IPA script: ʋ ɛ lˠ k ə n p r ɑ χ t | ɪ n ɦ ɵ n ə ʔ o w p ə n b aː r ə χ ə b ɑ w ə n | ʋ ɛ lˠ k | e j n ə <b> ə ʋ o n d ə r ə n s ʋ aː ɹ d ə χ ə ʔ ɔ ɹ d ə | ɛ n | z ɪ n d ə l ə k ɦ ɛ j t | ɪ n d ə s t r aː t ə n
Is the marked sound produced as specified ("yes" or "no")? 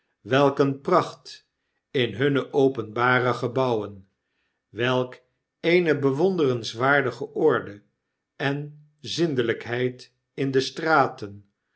yes